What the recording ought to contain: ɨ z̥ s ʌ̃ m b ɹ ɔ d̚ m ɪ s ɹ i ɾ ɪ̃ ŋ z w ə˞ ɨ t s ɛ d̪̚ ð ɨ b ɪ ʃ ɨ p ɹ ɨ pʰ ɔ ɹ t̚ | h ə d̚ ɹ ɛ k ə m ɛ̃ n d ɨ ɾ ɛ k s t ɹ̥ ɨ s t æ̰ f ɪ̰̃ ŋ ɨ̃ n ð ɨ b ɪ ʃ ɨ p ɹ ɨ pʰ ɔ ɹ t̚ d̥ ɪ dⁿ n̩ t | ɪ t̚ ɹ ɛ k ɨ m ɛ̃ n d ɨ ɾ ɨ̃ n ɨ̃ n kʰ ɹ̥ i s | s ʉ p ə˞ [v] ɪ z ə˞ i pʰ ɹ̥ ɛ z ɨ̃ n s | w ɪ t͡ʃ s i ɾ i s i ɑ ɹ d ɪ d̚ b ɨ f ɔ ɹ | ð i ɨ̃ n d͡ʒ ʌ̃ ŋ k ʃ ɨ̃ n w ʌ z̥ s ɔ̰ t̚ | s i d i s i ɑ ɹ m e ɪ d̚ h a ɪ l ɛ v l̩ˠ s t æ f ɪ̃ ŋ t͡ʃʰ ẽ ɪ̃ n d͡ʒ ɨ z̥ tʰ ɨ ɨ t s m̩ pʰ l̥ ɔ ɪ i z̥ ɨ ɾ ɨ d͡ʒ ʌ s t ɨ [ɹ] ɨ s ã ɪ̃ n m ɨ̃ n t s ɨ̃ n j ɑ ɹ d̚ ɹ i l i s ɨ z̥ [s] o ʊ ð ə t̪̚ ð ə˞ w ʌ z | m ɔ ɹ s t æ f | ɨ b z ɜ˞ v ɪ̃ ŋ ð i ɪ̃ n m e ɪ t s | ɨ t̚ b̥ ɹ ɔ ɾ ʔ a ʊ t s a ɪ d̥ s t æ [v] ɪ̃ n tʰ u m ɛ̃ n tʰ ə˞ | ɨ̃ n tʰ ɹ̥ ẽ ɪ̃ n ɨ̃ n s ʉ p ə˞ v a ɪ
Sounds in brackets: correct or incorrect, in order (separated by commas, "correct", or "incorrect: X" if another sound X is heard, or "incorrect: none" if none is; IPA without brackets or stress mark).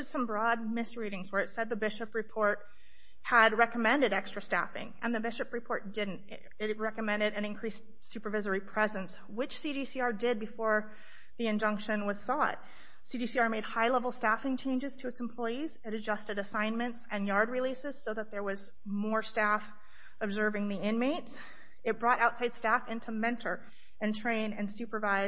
correct, incorrect: ɾ, correct, incorrect: f